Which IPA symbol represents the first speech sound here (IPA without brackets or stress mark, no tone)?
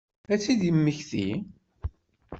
æ